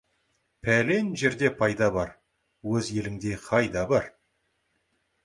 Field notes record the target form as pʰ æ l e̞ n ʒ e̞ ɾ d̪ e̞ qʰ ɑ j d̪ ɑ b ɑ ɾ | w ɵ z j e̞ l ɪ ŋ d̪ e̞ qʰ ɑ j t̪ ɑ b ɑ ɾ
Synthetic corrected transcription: pʰ æ l e̞ n ʒ e̞ ɾ d̪ e̞ pʰ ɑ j d̪ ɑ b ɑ ɾ | w ɵ z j e̞ l ɪ ŋ d̪ e̞ qʰ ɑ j d̪ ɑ b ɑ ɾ